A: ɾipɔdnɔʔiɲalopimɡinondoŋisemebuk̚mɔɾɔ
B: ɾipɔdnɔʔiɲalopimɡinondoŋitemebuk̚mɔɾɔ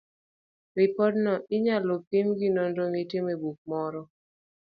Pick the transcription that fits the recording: B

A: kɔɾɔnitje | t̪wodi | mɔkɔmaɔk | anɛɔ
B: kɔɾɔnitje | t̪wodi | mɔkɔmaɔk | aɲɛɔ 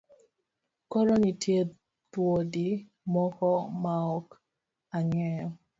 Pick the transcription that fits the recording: B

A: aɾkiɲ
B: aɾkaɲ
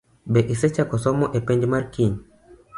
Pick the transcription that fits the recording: A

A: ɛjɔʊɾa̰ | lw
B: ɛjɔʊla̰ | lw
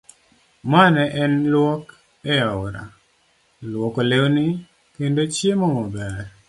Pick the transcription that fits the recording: A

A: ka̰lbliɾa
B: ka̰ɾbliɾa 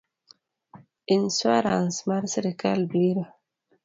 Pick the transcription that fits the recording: A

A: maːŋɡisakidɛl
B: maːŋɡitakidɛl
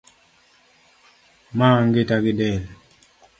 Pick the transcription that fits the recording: B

